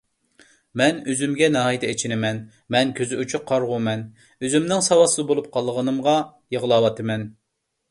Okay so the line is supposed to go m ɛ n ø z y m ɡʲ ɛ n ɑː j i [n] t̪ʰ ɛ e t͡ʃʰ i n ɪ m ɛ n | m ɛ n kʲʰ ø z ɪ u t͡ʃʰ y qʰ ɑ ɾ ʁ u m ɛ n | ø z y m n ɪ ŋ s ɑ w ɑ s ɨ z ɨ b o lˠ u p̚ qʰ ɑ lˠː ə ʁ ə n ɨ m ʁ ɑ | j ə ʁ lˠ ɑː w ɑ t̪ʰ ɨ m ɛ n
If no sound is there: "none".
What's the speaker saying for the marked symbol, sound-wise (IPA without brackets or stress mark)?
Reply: none